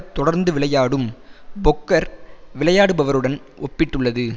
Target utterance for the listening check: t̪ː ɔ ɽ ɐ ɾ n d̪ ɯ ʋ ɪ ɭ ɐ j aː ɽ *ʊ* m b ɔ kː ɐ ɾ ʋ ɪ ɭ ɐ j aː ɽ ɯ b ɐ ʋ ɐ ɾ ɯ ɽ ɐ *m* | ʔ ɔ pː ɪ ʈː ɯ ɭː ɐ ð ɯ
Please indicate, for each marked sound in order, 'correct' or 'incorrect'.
incorrect, incorrect

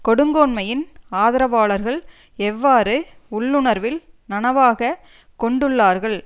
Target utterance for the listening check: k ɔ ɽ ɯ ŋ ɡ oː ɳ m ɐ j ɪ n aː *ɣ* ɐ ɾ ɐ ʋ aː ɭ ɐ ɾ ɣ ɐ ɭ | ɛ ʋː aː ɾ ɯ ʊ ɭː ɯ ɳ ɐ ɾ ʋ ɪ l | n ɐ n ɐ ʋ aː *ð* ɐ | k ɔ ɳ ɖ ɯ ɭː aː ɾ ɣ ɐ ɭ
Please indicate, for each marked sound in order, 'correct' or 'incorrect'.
incorrect, incorrect

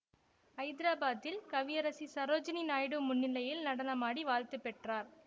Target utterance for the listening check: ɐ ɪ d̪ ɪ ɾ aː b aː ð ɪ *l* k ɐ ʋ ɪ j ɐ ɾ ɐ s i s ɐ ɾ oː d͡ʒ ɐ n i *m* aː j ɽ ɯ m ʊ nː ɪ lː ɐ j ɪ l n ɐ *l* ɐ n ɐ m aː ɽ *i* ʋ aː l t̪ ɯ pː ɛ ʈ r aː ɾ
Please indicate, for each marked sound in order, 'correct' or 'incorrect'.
correct, incorrect, incorrect, correct

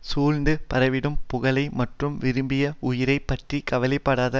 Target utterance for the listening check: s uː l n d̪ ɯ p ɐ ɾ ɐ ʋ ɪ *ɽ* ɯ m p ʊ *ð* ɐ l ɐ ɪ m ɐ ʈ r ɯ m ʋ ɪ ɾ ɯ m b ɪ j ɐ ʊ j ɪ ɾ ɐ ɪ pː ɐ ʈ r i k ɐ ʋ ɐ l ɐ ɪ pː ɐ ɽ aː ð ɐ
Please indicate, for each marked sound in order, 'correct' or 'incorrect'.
correct, incorrect

